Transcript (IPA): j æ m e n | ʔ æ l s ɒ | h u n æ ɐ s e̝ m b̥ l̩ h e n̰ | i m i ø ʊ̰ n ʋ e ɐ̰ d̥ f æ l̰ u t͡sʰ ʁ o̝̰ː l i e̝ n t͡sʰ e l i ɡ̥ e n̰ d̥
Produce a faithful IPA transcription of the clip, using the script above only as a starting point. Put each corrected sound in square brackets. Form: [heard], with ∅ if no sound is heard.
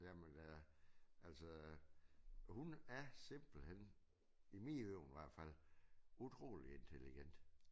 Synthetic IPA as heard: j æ m e n | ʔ æ l s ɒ | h u n æ ɐ s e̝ m b̥ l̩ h e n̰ | i m i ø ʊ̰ n ʋ [æ] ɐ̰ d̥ f æ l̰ u t͡sʰ ʁ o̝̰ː l i e̝ n t͡sʰ e l i ɡ̥ e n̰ d̥